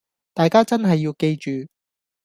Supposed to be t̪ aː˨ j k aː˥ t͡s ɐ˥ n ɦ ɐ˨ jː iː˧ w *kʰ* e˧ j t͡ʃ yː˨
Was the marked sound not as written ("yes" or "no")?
yes